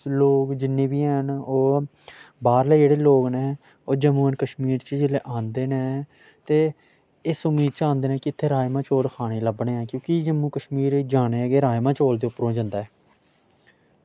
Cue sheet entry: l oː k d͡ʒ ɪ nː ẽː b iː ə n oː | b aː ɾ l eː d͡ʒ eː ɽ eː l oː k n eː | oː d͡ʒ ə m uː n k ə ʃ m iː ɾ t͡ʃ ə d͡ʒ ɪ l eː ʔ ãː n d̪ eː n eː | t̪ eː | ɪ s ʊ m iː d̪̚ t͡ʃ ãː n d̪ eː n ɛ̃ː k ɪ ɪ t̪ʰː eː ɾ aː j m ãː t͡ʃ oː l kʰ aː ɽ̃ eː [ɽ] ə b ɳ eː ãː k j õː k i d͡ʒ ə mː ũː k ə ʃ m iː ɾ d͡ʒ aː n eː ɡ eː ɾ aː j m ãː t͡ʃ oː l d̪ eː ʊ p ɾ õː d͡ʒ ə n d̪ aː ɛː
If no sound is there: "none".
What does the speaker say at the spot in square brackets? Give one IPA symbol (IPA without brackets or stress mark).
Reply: l